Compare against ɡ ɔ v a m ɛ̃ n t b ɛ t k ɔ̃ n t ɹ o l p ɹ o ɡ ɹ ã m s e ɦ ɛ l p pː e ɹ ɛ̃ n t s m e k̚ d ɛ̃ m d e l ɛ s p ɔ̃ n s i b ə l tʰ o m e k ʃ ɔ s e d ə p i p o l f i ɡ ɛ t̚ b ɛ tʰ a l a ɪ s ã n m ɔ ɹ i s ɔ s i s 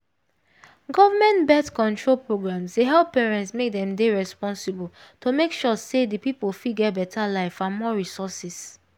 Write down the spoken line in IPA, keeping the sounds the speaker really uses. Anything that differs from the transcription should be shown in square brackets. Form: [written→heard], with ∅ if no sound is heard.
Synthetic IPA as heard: ɡ ɔ v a m ɛ̃ n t b ɛ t k ɔ̃ n t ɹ o l p ɹ o ɡ ɹ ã m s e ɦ ɛ l p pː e ɹ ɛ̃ n t s m e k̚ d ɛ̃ m d e [l→ɹ] ɛ s p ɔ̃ n s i b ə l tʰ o m e k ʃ ɔ s e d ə p i p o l f i ɡ ɛ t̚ b ɛ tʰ a l a ɪ [s→f] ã n m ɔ ɹ i s ɔ s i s

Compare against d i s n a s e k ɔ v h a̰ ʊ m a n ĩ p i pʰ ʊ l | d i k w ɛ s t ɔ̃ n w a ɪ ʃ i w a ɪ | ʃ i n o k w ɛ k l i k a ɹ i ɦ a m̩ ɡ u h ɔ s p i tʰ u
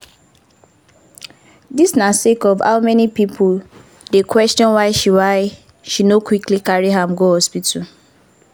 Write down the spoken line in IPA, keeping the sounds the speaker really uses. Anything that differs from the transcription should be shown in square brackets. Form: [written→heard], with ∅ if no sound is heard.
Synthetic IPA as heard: d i s n a s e k ɔ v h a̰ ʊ m [a→ɛ] n [ĩ→i] p i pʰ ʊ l | d [i→e] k w ɛ s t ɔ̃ n w a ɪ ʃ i w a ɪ | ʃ i n o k w [ɛ→i] k l i k a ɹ i ɦ a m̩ ɡ [u→o] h ɔ s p i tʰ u

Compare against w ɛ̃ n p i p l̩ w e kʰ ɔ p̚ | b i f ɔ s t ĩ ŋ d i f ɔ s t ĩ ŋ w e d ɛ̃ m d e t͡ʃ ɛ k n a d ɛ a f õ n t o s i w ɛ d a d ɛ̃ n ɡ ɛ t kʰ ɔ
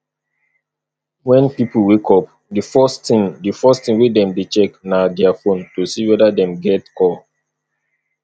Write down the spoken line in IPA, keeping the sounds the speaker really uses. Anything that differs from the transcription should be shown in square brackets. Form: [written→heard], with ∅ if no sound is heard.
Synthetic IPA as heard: w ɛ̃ n p i p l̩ w e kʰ ɔ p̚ | [b→d] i f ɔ s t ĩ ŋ d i f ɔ s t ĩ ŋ w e d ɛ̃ m d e t͡ʃ ɛ k n a d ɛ a f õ n t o s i w ɛ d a d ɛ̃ [n→m] ɡ ɛ t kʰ ɔ

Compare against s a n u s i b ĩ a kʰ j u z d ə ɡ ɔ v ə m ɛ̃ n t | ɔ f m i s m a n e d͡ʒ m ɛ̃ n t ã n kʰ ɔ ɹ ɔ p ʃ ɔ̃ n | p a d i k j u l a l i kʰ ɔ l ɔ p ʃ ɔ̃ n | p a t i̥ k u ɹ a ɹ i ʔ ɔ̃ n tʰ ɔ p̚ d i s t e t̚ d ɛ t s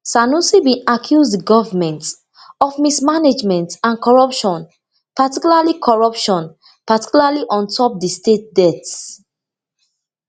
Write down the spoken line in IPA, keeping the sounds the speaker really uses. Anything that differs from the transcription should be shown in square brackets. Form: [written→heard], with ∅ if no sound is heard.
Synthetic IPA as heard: s a n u s i b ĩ a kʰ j u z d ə ɡ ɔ v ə m ɛ̃ n t | ɔ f m i s m a n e d͡ʒ m ɛ̃ n t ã n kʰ ɔ ɹ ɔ p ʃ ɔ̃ n | p a [d→t] i k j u l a l i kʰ ɔ [l→ɹ] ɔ p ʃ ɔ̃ n | p a t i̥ k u [ɹ→l] a [ɹ→l] i ʔ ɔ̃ n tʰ ɔ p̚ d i s t e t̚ d ɛ t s

